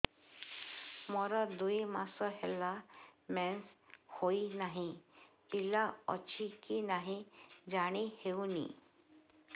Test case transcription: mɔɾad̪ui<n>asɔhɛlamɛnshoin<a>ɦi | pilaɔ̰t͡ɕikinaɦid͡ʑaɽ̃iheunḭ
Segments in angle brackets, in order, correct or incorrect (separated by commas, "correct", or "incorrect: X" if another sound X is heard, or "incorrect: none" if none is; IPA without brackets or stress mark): incorrect: m, correct